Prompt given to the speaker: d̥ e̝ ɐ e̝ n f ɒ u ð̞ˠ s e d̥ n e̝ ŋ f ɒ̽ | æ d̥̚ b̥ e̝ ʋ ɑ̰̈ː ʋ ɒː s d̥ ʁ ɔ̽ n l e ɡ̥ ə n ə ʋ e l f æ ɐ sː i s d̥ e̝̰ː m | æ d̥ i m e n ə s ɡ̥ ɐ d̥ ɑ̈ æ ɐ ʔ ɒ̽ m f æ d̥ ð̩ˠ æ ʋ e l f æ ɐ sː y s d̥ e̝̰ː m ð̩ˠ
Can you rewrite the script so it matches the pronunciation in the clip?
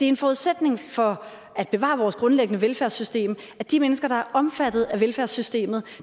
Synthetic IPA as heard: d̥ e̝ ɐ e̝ n f ɒ u ð̞ˠ s e d̥ n e̝ ŋ f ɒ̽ | æ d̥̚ b̥ e̝ ʋ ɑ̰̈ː ʋ ɒː s ɡ̥ ʁ ɔ̽ n l e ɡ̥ ə n ə ʋ e l f æ ɐ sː y s d̥ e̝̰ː m | æ d̥ i m e n ə s ɡ̥ ɐ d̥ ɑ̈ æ ɐ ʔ ɒ̽ m f æ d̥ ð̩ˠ æ ʋ e l f æ ɐ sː y s d̥ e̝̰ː m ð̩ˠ